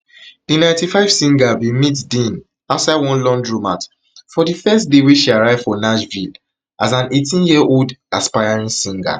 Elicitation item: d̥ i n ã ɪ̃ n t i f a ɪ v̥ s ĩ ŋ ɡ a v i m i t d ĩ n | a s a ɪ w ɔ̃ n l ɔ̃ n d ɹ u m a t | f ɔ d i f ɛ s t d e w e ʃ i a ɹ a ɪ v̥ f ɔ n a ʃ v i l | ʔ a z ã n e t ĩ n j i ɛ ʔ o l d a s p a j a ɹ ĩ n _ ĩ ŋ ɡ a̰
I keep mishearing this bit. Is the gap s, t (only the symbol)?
s